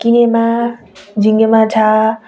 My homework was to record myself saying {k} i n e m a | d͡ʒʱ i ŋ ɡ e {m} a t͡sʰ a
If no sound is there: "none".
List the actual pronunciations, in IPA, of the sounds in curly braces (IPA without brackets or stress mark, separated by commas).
k, m